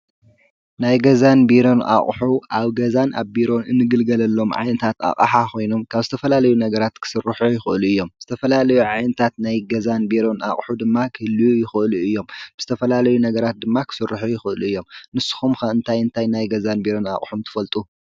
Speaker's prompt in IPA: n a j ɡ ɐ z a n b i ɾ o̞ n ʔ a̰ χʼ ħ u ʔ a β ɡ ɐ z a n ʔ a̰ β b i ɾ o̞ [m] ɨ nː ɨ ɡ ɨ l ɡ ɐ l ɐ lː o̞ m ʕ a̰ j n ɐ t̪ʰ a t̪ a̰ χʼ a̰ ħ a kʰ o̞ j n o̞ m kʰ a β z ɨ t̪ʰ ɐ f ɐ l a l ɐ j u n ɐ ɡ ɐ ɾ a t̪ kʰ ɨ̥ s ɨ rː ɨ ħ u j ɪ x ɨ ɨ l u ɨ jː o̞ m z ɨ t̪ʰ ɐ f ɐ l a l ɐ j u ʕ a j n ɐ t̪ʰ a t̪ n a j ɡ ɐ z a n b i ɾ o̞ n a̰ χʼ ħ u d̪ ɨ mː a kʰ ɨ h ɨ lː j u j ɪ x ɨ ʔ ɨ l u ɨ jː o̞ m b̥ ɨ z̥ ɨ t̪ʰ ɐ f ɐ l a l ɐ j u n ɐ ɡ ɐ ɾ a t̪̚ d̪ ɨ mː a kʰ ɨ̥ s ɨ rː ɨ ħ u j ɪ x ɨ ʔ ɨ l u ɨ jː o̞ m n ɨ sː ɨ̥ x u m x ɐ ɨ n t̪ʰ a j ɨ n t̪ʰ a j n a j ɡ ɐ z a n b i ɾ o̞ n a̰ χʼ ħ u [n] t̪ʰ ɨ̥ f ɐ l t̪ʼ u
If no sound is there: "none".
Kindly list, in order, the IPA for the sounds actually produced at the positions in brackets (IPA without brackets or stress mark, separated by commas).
n, m